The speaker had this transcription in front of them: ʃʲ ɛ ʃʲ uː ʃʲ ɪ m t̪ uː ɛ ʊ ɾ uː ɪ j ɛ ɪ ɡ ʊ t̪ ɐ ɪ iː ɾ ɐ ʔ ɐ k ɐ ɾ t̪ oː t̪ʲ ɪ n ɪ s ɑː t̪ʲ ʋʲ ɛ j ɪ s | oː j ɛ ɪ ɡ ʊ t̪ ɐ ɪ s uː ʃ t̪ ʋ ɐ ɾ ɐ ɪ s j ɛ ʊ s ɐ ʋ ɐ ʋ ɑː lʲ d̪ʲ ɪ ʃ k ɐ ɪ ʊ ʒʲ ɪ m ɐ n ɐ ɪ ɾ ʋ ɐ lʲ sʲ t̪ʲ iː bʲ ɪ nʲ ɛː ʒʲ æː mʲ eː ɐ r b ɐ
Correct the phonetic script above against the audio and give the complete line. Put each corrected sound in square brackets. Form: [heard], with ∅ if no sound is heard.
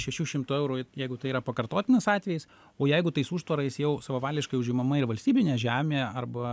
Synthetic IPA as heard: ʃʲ ɛ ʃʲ uː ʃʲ ɪ m t̪ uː ɛ ʊ ɾ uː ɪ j ɛ ɪ ɡ ʊ t̪ ɐ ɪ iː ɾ ɐ [p] ɐ k ɐ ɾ t̪ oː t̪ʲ ɪ n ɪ s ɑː t̪ʲ ʋʲ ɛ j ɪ s | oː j ɛ ɪ ɡ ʊ t̪ ɐ ɪ s uː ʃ t̪ ʋ ɐ ɾ ɐ ɪ s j ɛ ʊ s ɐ ʋ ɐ ʋ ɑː lʲ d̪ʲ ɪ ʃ k ɐ ɪ ʊ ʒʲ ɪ m ɐ [m] ɐ ɪ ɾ ʋ ɐ lʲ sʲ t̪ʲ iː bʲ ɪ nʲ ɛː ʒʲ æː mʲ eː ɐ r b ɐ